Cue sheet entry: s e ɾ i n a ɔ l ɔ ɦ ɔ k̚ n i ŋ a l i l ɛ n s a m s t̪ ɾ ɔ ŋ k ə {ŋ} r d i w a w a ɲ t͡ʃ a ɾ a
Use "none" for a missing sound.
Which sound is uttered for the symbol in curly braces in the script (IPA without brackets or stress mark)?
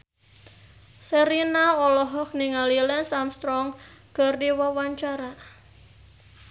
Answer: none